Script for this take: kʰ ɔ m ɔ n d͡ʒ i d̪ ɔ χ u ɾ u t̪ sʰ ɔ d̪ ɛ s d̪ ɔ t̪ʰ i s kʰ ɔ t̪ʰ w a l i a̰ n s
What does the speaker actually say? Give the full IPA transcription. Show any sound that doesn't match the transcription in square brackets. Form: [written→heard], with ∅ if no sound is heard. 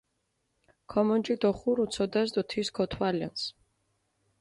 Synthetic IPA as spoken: kʰ ɔ m ɔ n d͡ʒ i d̪ ɔ χ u ɾ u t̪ sʰ ɔ d̪ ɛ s d̪ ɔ t̪ʰ i s kʰ ɔ t̪ʰ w a l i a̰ n s